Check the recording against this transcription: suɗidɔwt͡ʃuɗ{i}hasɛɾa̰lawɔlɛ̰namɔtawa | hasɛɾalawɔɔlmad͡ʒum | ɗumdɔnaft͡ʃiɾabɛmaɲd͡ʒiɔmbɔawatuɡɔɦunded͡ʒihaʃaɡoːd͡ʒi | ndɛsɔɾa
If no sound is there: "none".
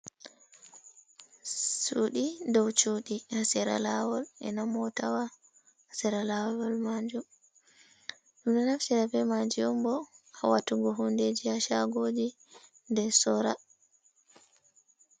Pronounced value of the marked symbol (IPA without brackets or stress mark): i